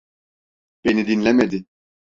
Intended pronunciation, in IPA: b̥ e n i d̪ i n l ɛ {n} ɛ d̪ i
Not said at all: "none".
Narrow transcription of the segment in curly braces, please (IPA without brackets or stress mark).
m